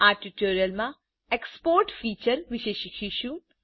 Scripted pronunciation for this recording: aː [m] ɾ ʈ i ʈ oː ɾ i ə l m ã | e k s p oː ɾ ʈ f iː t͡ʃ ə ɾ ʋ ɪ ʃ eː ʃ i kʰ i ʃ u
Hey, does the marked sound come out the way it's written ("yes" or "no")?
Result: no